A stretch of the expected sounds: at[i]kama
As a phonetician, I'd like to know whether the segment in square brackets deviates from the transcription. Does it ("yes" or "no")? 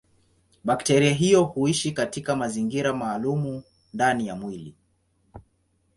no